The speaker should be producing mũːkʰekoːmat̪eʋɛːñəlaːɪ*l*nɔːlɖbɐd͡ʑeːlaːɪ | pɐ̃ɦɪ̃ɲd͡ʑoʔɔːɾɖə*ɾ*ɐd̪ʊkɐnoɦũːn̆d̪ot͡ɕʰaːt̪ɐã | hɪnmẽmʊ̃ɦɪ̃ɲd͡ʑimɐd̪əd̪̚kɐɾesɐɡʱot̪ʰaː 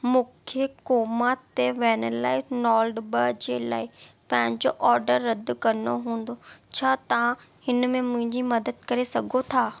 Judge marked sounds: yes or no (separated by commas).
no, no